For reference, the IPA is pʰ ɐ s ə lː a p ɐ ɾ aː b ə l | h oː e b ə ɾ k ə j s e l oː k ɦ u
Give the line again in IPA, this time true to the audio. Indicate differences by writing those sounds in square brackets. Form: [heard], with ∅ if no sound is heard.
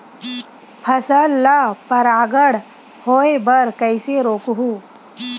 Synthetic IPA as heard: pʰ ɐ s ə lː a p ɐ ɾ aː [ɡ] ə [ɽ] | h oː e b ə ɾ k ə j s e [ɾ] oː k ɦ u